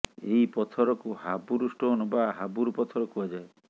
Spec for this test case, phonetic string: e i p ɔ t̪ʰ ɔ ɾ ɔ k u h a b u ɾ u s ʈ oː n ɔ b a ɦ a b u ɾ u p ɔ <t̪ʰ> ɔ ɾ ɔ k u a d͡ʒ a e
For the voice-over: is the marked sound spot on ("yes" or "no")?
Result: yes